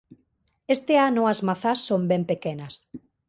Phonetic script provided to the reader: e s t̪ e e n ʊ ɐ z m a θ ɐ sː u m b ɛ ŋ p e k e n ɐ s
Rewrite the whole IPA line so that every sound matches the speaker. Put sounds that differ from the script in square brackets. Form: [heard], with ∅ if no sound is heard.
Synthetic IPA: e s t̪ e [a] n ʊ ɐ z m a θ [a] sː [o] m b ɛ [m] p e k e n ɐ s

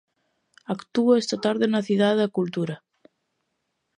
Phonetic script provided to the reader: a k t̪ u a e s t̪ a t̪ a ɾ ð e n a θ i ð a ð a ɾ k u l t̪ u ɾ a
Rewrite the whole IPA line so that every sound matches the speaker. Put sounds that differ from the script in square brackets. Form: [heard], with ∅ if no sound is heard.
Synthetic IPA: a k t̪ u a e s t̪ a t̪ a ɾ ð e n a θ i ð a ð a [∅] k u l t̪ u ɾ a

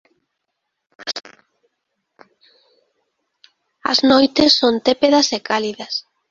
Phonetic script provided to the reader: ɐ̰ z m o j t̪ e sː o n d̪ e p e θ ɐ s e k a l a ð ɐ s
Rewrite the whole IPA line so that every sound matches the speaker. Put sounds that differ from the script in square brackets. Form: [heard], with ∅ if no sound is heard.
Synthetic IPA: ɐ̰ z [n] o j t̪ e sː o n [t̪] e p e [ð] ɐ s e k a l [i] ð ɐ s

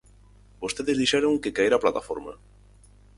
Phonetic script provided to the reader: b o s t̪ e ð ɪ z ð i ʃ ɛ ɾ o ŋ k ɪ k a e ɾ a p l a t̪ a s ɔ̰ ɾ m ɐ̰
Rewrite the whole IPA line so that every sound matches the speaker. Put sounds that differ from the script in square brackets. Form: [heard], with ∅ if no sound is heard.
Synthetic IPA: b o s t̪ e ð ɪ z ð i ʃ ɛ ɾ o ŋ k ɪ k a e ɾ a p l a t̪ a [f] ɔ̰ ɾ m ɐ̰

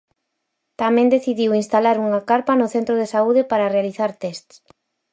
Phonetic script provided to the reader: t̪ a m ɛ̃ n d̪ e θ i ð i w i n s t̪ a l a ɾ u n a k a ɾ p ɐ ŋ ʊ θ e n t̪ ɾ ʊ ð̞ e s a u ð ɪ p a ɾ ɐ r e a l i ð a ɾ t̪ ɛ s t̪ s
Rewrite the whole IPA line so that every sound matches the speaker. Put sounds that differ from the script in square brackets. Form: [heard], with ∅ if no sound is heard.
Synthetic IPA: t̪ a m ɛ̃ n d̪ e θ i ð i w i n s t̪ a l a ɾ u [ŋ] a k a ɾ p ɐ [n] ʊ θ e n t̪ ɾ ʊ ð̞ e s a u ð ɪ p a ɾ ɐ r e a l i [θ] a ɾ t̪ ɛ s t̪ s

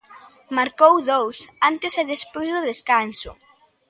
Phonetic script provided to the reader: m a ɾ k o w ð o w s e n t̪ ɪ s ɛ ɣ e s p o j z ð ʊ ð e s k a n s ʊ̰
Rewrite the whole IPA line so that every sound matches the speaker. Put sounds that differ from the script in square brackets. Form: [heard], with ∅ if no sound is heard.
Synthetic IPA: m a ɾ k o w ð o w s [a] n t̪ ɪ s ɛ [ð] e s p o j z ð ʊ ð e s k a n s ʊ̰

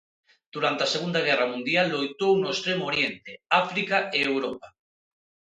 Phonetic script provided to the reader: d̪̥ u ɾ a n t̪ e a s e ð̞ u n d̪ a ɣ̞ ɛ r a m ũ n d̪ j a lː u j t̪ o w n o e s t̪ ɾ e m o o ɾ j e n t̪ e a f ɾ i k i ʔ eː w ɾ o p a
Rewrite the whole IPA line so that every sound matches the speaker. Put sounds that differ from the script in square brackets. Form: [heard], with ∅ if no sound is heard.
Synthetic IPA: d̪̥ u ɾ a n t̪ e a s e [ɣ̞] u n d̪ a ɣ̞ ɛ r a m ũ n d̪ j a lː [o] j t̪ o w n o e s t̪ ɾ e m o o ɾ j e n t̪ e a f ɾ i k [a] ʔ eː w ɾ o p a

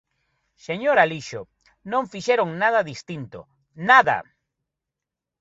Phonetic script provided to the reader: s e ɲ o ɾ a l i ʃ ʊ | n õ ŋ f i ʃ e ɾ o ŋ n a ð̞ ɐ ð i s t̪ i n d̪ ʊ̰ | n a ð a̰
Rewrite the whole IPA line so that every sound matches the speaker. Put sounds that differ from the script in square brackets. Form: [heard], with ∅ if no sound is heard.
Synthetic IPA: s e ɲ o ɾ a l i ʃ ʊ | n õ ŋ f i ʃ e ɾ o ŋ n a ð̞ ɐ ð i s t̪ i n [t̪] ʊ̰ | n a ð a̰

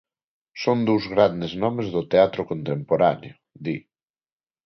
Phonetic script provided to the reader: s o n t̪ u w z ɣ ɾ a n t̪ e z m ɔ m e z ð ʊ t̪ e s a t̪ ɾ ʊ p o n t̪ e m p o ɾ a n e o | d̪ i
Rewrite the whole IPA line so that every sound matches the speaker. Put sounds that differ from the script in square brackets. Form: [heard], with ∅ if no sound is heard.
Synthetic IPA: s o n [d̪] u w z ɣ ɾ a n [d̪] e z [n] ɔ m e z ð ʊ t̪ e [∅] a t̪ ɾ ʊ [k] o n t̪ e m p o ɾ a n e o | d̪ i

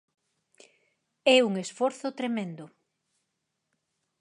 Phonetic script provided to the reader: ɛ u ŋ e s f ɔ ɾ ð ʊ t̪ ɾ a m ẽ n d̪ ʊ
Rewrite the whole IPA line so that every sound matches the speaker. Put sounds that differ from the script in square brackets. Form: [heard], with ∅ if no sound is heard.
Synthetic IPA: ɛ u ŋ e s f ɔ ɾ [θ] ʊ t̪ ɾ [e] m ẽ n d̪ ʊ

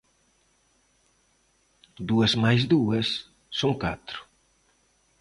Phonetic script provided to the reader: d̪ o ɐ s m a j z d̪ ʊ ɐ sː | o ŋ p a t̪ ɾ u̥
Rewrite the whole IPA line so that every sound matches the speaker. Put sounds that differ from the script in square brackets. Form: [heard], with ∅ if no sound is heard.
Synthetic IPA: d̪ [u] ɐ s m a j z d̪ [u] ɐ sː | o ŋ [k] a t̪ ɾ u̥

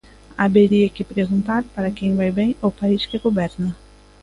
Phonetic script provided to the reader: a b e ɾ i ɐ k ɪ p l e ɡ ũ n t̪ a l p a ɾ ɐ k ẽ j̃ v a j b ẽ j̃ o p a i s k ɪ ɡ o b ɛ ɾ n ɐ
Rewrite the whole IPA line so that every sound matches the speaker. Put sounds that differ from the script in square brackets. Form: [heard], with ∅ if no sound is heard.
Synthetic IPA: a b e ɾ i ɐ k ɪ p [ɾ] e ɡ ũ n t̪ a [ɾ] p a ɾ ɐ k ẽ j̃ v a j b ẽ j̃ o p a i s k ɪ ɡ o b ɛ ɾ n ɐ

